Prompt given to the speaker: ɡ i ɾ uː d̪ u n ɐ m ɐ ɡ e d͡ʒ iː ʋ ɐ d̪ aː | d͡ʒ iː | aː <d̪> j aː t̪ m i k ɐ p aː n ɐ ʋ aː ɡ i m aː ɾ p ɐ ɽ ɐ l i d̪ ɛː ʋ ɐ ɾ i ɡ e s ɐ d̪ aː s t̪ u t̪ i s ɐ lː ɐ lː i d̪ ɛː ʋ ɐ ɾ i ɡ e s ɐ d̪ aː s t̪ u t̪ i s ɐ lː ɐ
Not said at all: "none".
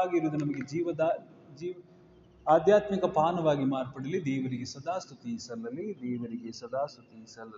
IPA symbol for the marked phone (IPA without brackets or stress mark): d̪